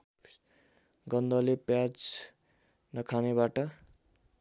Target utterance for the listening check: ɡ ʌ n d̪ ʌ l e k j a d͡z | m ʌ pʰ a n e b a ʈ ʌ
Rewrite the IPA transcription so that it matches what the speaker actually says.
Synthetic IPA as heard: ɡ ʌ n d̪ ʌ l e p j a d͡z | n ʌ kʰ a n e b a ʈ ʌ